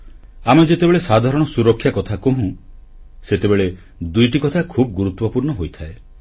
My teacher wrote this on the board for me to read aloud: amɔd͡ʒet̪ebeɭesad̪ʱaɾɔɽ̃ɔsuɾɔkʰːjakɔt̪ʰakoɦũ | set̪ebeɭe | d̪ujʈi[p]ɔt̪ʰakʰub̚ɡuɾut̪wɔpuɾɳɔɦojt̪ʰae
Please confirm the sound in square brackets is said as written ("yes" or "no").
no